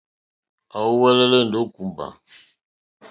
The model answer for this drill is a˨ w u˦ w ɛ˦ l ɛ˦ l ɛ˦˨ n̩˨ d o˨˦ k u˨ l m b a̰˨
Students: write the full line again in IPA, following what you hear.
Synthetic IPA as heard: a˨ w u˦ w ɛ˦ l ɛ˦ l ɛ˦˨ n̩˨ d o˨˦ k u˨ m b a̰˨